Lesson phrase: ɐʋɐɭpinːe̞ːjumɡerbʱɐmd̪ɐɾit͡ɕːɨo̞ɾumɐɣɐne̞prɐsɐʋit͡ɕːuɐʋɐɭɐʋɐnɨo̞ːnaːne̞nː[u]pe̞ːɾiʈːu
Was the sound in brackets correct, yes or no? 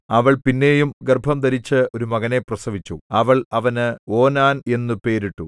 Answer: yes